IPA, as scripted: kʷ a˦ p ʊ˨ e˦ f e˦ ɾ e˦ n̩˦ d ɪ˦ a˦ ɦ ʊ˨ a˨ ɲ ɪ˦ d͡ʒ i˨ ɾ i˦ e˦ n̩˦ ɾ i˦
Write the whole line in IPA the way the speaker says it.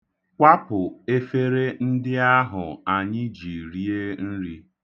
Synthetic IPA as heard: kʷ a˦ p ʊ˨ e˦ f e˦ ɾ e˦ n̩˦ d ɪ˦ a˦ ɦ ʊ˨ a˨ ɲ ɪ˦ d͡ʒ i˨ ɾ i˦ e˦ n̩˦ ɾ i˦